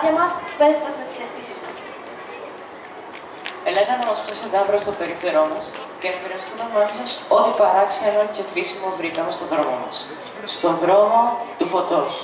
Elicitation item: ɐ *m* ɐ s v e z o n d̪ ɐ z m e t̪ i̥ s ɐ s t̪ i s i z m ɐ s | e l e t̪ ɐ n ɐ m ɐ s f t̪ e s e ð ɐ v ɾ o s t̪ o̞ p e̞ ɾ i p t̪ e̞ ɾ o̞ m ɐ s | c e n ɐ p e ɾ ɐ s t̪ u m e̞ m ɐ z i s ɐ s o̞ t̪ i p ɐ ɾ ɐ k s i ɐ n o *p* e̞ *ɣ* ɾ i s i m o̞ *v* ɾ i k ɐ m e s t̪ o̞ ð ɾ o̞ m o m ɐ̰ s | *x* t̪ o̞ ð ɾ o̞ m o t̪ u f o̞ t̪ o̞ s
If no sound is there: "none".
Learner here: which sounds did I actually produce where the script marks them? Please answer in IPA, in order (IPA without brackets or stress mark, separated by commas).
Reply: m, c, x, v, s